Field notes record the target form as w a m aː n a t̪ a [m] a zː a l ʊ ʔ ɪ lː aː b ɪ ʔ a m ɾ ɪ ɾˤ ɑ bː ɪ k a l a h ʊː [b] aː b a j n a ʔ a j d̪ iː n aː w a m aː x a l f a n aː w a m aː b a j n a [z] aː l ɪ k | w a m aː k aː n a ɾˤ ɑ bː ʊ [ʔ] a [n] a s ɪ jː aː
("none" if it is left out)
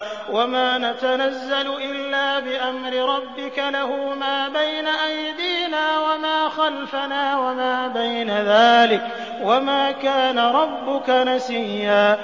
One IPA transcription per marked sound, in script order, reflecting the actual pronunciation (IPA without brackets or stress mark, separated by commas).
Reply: n, m, ð, k, n